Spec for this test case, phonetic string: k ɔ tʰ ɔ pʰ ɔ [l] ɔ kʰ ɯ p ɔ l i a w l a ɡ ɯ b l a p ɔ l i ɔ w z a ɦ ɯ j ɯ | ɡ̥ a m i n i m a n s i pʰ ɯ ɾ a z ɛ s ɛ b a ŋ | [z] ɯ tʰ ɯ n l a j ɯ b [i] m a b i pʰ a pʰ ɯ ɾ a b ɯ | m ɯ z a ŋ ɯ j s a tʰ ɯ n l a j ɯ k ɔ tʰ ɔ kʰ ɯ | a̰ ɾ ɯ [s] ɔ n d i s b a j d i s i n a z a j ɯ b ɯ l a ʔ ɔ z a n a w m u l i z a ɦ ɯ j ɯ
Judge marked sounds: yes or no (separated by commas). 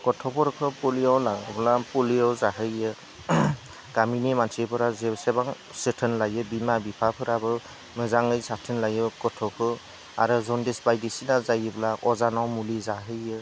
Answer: no, no, yes, no